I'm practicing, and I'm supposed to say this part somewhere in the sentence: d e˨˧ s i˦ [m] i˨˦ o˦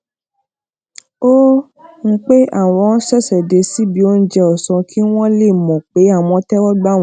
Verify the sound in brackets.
incorrect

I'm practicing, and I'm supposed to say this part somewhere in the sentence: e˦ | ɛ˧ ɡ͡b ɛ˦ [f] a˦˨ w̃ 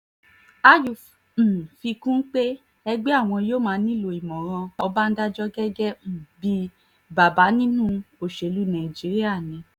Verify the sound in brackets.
incorrect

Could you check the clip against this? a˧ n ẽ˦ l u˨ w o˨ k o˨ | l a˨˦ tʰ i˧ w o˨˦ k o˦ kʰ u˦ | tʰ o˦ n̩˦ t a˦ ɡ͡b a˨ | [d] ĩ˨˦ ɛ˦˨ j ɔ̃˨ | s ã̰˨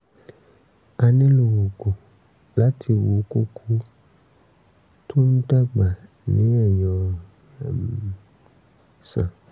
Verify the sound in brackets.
incorrect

